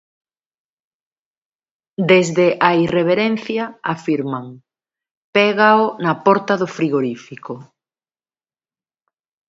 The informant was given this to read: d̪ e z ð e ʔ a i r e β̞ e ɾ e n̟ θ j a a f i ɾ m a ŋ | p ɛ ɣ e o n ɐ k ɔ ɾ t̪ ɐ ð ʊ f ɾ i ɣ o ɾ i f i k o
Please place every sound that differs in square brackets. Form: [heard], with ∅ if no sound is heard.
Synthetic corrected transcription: d̪ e z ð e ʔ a i r e β̞ e ɾ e n̟ θ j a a f i ɾ m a ŋ | p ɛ ɣ [a] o n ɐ [p] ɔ ɾ t̪ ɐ ð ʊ f ɾ i ɣ o ɾ i f i k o